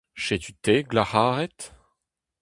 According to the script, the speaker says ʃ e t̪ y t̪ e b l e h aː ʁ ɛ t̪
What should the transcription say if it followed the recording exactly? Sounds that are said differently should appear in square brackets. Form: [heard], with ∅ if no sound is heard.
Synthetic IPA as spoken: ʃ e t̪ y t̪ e [ɡ] l [a] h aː ʁ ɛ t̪